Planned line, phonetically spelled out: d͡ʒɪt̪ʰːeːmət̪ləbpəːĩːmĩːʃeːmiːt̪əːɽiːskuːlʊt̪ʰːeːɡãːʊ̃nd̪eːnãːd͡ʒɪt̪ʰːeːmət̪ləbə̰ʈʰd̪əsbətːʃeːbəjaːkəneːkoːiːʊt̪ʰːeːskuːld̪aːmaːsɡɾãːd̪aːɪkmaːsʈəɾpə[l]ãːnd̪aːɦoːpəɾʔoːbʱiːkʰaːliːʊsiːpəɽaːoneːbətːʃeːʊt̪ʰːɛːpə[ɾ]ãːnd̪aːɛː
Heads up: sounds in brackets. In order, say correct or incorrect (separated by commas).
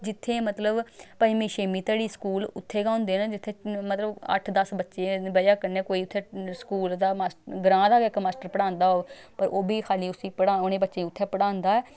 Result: incorrect, incorrect